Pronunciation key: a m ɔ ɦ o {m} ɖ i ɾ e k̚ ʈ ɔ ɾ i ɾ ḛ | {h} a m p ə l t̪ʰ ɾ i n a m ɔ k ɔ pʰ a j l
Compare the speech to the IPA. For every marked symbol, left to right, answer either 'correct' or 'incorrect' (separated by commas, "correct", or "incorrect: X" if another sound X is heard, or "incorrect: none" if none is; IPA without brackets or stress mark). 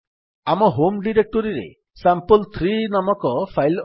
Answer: correct, incorrect: s